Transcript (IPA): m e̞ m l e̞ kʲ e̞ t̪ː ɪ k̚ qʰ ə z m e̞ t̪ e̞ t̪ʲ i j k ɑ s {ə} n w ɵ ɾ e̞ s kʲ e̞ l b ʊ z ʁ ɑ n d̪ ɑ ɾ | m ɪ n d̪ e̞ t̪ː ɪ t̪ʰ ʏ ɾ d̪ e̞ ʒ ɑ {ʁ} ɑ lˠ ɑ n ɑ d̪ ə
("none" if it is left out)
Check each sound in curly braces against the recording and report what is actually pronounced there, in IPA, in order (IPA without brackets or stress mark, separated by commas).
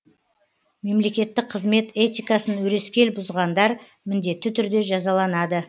ə, z